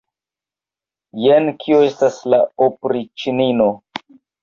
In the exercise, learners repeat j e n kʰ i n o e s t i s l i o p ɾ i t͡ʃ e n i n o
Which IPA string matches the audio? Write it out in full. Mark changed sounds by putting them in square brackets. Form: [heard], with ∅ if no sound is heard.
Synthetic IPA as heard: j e n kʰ i [∅] o e s t [a] s l [a] o p ɾ i t͡ʃ [i] n i n o